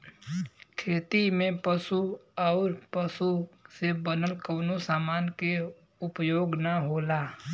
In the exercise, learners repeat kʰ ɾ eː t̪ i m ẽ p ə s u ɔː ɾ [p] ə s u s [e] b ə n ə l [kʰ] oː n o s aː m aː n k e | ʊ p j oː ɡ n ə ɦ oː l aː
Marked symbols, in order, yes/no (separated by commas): yes, yes, no